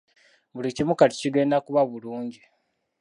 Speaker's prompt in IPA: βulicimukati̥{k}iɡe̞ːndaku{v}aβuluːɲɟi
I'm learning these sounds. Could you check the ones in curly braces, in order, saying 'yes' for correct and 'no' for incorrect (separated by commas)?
no, no